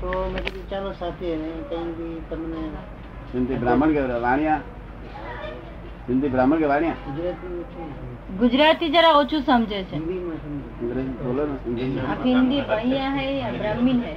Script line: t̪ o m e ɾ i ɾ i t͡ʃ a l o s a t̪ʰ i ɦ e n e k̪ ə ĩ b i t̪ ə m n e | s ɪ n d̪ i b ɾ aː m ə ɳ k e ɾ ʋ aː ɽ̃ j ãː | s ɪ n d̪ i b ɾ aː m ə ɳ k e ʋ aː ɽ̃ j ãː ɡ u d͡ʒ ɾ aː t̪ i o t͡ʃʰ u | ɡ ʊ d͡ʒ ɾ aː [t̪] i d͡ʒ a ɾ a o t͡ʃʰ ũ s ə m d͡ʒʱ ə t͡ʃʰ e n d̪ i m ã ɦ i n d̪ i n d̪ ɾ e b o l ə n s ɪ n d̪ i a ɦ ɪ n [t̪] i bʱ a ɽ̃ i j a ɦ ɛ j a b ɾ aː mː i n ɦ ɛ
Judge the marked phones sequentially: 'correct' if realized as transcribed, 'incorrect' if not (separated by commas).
correct, incorrect